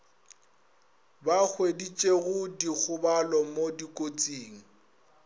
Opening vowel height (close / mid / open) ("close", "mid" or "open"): open